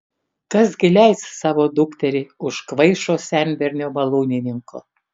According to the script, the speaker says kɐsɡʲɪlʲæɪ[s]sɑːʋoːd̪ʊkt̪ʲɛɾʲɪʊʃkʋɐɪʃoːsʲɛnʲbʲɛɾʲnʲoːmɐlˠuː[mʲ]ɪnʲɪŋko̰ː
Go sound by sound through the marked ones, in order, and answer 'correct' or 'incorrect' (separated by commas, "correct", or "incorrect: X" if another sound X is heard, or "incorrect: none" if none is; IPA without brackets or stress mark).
correct, incorrect: nʲ